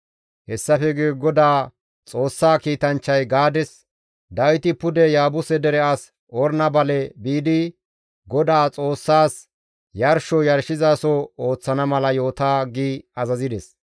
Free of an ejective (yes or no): no